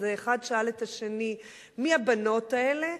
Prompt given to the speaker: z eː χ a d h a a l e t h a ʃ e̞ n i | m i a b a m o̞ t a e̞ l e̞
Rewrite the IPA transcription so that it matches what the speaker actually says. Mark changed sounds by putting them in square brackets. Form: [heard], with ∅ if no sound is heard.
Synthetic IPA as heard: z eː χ a d [ʃ] a a l e t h a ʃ e̞ n i | m i a b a [n] o̞ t a e̞ l e̞